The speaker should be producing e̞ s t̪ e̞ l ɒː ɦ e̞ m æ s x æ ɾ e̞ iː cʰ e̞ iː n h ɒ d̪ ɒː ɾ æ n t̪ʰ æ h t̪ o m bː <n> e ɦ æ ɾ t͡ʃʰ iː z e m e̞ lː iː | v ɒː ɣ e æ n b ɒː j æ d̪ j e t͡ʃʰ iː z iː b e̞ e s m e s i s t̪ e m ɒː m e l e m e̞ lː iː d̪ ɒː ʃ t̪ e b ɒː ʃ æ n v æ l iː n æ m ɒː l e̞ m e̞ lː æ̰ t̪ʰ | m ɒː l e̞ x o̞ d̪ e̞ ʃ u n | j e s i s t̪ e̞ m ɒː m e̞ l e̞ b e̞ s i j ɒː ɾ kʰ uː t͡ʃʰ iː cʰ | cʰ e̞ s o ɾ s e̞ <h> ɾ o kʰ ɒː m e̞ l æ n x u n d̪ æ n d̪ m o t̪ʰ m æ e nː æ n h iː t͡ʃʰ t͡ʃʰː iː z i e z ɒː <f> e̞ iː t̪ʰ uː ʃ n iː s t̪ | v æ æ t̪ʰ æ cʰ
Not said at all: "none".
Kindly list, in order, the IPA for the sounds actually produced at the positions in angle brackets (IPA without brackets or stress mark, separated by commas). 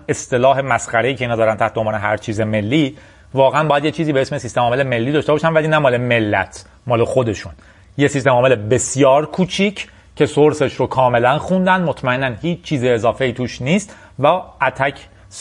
n, ʃ, f